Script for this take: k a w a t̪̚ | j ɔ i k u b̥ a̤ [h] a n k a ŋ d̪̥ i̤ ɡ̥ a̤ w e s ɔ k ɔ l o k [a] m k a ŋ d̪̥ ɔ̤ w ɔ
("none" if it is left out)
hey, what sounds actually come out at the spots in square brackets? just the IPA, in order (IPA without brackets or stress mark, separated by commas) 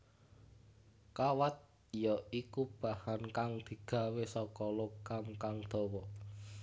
h, a